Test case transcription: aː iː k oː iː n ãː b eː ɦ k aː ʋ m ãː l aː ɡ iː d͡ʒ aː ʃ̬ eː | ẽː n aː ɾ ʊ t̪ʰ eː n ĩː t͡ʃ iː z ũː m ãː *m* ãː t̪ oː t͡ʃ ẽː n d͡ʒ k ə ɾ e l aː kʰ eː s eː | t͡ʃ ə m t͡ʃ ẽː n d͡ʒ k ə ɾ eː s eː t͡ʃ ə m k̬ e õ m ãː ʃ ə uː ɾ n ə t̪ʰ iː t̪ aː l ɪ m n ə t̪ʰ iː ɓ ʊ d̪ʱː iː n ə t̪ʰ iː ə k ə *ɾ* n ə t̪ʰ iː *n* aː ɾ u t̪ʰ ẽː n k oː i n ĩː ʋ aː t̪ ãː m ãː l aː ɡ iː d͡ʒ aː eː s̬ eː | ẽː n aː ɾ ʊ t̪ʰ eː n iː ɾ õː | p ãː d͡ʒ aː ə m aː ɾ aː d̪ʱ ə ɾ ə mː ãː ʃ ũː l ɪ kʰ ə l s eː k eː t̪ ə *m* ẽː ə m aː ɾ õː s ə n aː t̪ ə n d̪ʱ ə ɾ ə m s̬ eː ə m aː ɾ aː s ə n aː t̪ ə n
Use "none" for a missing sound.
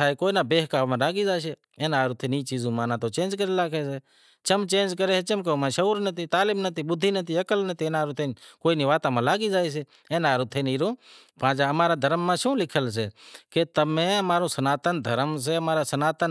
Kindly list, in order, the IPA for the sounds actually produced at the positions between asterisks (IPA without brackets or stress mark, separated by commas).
n, l, n, m